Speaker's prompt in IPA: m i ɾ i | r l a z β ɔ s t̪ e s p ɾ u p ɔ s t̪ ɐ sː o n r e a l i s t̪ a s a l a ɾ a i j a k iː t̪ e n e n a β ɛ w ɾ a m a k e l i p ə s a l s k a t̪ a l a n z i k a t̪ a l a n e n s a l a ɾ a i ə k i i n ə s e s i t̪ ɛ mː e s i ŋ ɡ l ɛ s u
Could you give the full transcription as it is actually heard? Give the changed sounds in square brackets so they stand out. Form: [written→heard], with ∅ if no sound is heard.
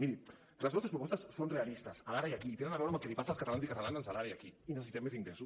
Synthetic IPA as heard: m i ɾ i | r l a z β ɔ s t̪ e s p ɾ u p ɔ s t̪ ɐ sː o n r e a l i s t̪ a s a l a ɾ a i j a k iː t̪ e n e n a β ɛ w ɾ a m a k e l i p [ə→a] s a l s k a t̪ a l a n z i k a t̪ a l a n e n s a l a ɾ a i [ə→a] k i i n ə s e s i t̪ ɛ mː e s i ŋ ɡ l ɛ s u

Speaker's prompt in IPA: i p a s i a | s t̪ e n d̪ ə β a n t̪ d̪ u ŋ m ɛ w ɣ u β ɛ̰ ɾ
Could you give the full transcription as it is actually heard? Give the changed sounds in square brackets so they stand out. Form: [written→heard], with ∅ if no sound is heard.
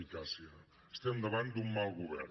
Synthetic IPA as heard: i [p→k] a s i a | s t̪ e n d̪ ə β a n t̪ d̪ u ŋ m [ɛ→a] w ɣ u β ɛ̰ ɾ

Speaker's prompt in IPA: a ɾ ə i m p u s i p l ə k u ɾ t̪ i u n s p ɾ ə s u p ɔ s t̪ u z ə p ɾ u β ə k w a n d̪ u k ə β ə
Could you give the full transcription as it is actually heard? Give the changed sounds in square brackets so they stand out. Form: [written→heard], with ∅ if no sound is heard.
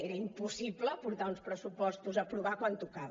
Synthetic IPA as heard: [a→e] ɾ ə i m p u s i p l ə [k→p] u ɾ t̪ [i→a] u n s p ɾ ə s u p ɔ s t̪ u z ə p ɾ u β [ə→a] k w a n [d̪→t̪] u k [ə→a] β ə

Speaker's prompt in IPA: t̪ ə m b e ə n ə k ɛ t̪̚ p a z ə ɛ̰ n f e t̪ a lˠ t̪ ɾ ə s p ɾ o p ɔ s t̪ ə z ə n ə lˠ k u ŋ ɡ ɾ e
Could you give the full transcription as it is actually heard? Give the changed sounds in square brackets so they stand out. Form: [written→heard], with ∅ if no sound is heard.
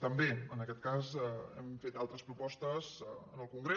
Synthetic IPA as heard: t̪ ə m b e ə n ə k ɛ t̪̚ [p→k] a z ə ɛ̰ [n→m] f e t̪ a lˠ t̪ ɾ ə s p ɾ [o→u] p ɔ s t̪ ə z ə n ə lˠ k u ŋ ɡ ɾ e

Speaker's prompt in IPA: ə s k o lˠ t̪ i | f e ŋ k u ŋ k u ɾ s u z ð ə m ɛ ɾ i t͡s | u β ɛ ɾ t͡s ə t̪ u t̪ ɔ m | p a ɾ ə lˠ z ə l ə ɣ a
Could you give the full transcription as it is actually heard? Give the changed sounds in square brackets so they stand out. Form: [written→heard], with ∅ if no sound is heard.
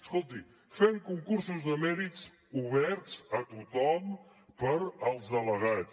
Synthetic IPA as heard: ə s k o lˠ t̪ i | f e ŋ k u ŋ k u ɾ s u z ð ə m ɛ ɾ i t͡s | u β ɛ ɾ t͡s ə t̪ u t̪ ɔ m | p [a→ə] ɾ ə lˠ z ə l ə ɣ a

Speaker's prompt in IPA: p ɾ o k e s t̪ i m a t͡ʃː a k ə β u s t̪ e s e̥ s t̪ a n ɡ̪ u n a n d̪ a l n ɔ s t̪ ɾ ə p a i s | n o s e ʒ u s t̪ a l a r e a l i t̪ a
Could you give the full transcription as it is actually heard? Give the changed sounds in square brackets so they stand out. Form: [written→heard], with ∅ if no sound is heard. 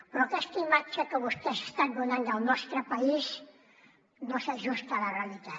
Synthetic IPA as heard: p ɾ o k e s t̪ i m a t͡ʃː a k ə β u s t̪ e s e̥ s t̪ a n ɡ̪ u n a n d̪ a l n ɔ s t̪ ɾ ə p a i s | n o s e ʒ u s t̪ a l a r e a l i t̪ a

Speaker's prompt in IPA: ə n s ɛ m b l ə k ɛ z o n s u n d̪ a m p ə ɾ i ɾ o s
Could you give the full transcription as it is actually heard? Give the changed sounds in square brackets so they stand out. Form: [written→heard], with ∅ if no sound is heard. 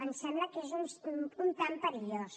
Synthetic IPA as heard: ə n s ɛ m b l ə k [ɛ→e] z [o→u] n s u n [d̪→t̪] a m p ə ɾ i [ɾ→ʎ] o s

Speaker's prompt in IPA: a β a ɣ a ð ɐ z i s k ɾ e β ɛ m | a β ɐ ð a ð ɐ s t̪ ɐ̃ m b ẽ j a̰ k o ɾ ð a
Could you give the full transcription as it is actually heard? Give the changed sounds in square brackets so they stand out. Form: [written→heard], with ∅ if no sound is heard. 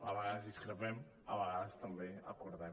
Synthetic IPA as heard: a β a ɣ a ð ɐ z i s k ɾ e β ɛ m | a β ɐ [ð→ɣ] a ð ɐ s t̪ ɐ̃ m b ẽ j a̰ k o ɾ ð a

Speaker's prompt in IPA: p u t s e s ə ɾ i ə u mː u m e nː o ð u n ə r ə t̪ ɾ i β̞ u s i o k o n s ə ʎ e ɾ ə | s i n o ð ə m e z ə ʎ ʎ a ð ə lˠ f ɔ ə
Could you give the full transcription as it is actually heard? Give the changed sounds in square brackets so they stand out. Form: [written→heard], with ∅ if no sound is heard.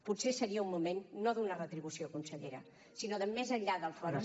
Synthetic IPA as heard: p u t s e s ə ɾ i ə u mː u m e nː o ð u n ə r ə t̪ ɾ i β̞ u s i o k [o→u] n s ə ʎ e ɾ ə | s i n o ð ə m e z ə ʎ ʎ a ð ə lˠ f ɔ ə

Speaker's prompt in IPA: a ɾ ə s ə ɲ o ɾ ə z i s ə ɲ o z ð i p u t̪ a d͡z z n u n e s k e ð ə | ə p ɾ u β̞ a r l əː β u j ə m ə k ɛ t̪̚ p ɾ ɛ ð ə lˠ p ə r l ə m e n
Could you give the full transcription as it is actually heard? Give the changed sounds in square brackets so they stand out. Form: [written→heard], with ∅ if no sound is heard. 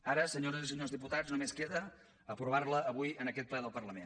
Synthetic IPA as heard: a ɾ ə s ə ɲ o ɾ ə z i s ə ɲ o z ð i p u t̪ a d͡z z n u [n→m] e s k e ð ə | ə p ɾ u β̞ a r l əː β u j ə [m→n] ə k ɛ t̪̚ p [ɾ→l] ɛ ð ə lˠ p ə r l ə m e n

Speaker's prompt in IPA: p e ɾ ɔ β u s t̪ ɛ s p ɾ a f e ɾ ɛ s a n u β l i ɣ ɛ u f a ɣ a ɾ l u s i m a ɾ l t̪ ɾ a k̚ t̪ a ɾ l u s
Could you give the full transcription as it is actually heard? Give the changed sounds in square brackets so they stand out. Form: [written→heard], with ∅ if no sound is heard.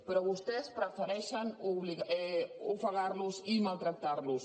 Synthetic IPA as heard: p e ɾ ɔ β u s t̪ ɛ s p ɾ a f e ɾ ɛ [s→ʃ] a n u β l i ɣ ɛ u f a ɣ a ɾ l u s i m a [ɾ→∅] l t̪ ɾ a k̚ t̪ a ɾ l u s

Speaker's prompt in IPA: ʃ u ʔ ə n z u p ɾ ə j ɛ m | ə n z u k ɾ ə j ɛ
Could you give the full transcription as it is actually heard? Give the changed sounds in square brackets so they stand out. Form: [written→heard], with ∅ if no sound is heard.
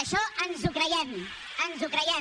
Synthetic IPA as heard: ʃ [u→ɔ] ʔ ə n z u [p→k] ɾ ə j ɛ m | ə n z u k ɾ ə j ɛ

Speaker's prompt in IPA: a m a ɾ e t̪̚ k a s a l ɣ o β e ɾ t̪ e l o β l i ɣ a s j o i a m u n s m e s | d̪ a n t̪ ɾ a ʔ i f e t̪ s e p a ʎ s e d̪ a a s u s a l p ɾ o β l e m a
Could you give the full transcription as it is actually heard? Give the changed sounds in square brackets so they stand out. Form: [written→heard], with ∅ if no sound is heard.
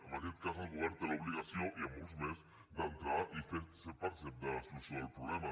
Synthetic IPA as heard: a m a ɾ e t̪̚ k a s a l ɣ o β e ɾ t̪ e l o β l i ɣ a s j o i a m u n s m e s | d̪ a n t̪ ɾ a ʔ i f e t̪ s e p a [ʎ→ɾ] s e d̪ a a s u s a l p ɾ o β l e m a

